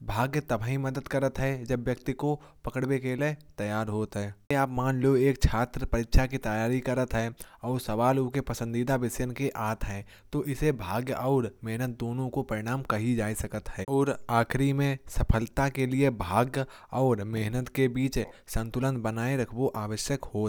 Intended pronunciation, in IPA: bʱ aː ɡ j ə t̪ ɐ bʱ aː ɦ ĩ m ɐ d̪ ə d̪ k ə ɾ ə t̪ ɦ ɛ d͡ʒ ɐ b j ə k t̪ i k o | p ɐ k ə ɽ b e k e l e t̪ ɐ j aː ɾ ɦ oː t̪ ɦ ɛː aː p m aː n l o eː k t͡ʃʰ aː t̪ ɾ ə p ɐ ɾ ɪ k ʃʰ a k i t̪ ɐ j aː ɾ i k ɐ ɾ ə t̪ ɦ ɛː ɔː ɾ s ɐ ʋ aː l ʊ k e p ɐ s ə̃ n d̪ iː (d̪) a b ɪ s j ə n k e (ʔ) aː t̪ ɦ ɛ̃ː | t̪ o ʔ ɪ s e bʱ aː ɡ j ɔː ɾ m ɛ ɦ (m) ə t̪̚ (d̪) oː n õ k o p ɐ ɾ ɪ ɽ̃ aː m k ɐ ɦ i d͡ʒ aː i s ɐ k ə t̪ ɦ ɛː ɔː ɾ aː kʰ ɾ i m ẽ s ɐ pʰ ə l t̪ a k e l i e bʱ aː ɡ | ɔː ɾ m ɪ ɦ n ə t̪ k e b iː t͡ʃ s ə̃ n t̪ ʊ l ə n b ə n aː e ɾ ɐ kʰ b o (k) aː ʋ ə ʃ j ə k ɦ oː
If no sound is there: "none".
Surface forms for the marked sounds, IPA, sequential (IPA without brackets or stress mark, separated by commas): d̪, ʔ, n, d̪, ʔ